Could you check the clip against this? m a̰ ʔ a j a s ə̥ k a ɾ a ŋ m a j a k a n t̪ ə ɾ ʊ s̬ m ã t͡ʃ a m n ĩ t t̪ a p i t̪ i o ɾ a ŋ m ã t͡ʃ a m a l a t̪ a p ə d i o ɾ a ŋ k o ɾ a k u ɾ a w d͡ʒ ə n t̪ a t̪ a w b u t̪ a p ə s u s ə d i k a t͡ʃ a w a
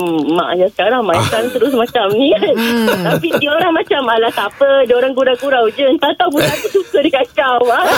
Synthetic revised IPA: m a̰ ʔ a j a s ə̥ k a ɾ a ŋ m a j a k a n t̪ ə ɾ ʊ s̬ m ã t͡ʃ a m n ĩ t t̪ a p i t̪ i o ɾ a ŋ m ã t͡ʃ a m a l a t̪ a p ə d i o ɾ a ŋ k u ɾ a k u ɾ a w d͡ʒ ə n t̪ a t̪ a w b u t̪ a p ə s u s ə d i k a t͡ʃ a w a